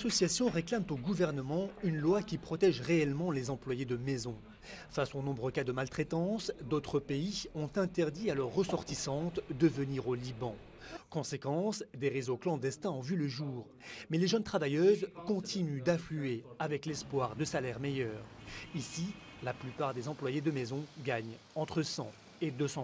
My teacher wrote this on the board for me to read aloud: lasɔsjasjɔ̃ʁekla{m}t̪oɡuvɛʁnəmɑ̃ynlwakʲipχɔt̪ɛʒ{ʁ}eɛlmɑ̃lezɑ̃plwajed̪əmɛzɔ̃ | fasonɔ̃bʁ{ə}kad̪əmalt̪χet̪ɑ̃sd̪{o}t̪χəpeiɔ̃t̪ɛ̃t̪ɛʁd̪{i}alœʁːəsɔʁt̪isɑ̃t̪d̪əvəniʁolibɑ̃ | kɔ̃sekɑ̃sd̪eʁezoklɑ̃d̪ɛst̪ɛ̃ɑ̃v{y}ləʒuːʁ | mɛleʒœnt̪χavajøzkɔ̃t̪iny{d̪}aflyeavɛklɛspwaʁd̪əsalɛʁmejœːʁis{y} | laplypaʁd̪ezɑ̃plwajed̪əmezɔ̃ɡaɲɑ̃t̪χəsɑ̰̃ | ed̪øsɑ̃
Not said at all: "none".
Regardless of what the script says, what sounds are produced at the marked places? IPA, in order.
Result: m, ʁ, ə, o, i, y, d̪, i

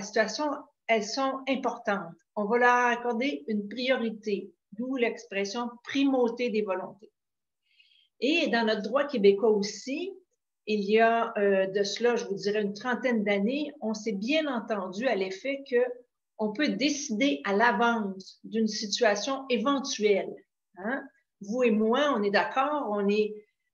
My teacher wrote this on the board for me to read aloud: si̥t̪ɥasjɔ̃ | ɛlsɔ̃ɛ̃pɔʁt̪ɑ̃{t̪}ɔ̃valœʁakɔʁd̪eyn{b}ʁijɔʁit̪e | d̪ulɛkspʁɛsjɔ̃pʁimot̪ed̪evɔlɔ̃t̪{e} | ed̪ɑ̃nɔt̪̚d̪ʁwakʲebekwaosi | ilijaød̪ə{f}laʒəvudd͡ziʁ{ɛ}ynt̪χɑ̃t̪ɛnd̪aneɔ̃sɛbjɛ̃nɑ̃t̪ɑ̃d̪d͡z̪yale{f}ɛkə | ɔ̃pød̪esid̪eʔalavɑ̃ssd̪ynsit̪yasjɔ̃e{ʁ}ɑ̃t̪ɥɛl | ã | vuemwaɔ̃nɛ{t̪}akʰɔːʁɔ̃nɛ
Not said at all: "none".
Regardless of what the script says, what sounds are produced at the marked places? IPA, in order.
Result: t̪, p, e, s, ɛ, f, v, d̪

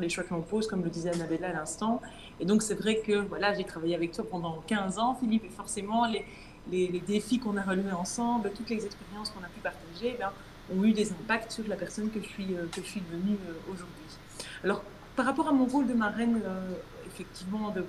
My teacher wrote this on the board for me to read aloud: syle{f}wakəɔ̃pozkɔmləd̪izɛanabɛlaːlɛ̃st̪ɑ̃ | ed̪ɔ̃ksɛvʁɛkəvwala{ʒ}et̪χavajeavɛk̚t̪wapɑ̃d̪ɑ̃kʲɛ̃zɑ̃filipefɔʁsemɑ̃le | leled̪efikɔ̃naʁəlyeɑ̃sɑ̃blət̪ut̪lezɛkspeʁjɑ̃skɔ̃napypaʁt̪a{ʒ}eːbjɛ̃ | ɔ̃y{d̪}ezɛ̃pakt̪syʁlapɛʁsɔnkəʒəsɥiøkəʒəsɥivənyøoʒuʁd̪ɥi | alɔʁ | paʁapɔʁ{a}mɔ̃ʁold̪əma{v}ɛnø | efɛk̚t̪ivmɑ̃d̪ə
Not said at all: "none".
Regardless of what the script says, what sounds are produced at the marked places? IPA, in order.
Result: ʃ, ʒ, ʒ, d̪, a, ʁ

